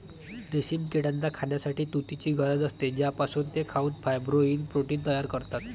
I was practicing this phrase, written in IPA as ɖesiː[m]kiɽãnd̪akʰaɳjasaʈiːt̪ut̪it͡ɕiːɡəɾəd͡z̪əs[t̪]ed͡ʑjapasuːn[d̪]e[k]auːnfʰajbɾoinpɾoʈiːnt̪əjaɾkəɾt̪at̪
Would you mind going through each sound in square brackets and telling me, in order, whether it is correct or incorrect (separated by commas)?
correct, correct, incorrect, incorrect